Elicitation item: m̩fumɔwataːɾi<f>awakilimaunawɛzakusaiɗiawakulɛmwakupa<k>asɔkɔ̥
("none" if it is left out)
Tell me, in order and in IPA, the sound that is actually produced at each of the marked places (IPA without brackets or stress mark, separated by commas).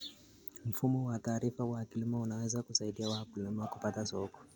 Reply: f, t